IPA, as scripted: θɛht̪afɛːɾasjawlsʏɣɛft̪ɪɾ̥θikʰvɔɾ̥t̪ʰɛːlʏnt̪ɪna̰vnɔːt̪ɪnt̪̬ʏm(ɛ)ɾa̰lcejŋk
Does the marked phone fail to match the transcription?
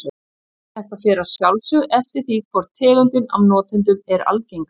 no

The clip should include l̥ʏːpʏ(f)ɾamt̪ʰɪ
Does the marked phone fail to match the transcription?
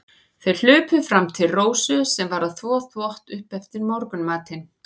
no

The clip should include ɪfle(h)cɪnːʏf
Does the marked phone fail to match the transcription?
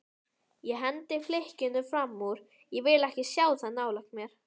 no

